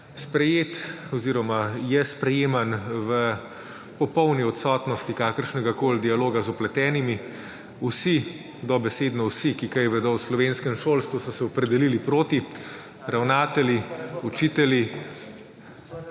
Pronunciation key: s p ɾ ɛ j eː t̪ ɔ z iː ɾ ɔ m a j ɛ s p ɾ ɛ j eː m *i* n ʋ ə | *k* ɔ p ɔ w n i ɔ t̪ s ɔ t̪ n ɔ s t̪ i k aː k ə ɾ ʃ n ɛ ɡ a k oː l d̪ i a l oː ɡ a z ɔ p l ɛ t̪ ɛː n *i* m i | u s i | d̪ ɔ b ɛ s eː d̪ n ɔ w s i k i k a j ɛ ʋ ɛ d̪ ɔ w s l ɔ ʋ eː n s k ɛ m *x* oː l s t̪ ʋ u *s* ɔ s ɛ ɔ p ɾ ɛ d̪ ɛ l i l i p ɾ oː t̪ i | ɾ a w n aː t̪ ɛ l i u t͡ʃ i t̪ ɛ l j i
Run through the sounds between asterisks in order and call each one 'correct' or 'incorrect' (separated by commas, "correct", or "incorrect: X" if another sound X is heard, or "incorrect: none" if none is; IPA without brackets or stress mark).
incorrect: a, incorrect: p, correct, incorrect: ʃ, correct